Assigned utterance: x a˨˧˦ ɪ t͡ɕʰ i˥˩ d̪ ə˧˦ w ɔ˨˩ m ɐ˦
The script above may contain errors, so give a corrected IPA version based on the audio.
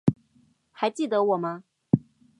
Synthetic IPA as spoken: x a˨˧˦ ɪ t͡ɕ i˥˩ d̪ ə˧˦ w ɔ˨˩ m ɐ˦